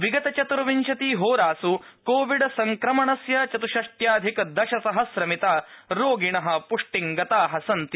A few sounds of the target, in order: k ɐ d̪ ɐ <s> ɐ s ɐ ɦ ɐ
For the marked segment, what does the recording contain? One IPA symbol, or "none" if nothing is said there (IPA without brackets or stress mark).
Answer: ʃ